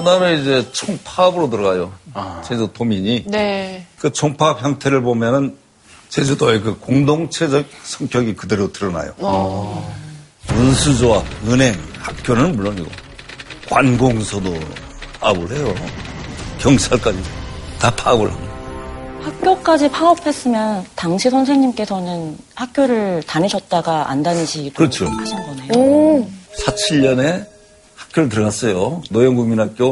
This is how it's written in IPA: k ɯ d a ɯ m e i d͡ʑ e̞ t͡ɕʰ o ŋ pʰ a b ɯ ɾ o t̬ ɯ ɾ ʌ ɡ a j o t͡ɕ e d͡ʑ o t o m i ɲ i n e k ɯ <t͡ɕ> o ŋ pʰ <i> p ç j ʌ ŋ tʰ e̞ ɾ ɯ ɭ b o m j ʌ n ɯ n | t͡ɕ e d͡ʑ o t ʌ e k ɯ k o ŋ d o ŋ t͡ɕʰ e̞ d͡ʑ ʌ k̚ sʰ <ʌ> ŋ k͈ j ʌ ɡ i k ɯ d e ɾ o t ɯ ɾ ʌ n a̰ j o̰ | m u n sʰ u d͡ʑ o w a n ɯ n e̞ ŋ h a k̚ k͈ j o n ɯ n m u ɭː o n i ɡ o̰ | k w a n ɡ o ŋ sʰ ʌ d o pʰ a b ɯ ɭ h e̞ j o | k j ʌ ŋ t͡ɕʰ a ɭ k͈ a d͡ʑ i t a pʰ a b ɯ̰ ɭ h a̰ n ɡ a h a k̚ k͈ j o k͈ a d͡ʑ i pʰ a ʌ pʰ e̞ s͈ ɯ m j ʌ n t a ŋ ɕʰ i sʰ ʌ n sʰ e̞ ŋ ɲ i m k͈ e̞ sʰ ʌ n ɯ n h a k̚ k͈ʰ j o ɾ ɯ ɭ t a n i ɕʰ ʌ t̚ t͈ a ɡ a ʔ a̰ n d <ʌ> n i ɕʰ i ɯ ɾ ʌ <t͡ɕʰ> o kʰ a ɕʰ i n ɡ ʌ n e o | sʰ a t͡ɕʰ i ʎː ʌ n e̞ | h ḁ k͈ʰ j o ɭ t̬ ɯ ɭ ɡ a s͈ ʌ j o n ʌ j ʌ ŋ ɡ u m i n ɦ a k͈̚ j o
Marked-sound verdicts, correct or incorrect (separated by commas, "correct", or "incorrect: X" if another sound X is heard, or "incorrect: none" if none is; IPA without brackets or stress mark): incorrect: t͡ɕʰ, incorrect: a, correct, incorrect: a, correct